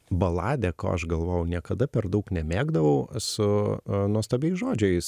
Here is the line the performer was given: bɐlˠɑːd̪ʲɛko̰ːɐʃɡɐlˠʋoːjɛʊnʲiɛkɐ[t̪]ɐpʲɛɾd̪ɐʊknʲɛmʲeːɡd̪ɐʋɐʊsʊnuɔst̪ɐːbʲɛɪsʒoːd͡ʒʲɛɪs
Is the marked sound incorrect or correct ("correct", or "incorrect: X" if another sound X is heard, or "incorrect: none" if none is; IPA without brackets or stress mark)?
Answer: incorrect: d̪